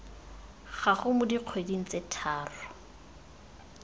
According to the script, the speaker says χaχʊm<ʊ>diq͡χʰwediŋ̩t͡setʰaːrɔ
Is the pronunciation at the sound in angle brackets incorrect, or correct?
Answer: correct